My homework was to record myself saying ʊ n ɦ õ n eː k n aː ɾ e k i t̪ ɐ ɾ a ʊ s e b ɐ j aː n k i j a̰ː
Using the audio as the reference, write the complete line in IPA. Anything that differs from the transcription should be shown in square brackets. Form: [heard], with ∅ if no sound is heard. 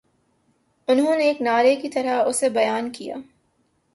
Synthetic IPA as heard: ʊ n ɦ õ n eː k n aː ɾ e k i t̪ ɐ ɾ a ʊ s e b ɐ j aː n k i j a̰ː